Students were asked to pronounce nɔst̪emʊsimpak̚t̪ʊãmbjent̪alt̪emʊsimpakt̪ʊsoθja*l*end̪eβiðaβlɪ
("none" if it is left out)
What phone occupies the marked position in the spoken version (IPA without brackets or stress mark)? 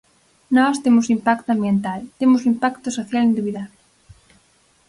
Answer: l